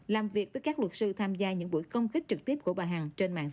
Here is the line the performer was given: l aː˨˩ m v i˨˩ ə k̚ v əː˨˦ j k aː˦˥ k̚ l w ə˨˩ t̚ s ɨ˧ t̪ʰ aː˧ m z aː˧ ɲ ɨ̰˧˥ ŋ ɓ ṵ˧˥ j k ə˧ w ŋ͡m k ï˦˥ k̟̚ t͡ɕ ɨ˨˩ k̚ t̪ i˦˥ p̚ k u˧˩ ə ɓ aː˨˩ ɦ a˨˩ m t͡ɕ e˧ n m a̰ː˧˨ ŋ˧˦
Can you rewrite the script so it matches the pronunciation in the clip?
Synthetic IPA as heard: l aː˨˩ m v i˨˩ ə k̚ v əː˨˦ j k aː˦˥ k̚ l w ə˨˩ t̚ s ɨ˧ t̪ʰ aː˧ m z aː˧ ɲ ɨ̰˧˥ ŋ ɓ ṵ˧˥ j k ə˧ w ŋ͡m k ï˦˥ k̟̚ t͡ɕ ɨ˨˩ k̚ t̪ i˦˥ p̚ k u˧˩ ə ɓ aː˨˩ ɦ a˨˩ ŋ t͡ɕ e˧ n m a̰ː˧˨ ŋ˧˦